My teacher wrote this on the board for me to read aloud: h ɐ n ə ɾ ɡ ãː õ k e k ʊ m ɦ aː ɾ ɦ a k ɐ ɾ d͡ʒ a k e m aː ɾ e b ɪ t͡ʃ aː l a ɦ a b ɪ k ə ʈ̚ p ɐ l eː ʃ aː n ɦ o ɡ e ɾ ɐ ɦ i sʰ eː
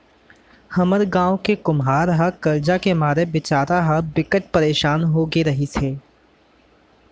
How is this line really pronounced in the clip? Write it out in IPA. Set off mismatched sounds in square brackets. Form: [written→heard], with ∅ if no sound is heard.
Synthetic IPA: h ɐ [n→m] ə ɾ ɡ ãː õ k e k ʊ m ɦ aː ɾ ɦ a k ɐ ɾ d͡ʒ a k e m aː ɾ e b ɪ t͡ʃ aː [l→ɾ] a ɦ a b ɪ k ə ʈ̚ p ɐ [l→ɾ] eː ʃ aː n ɦ o ɡ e ɾ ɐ ɦ i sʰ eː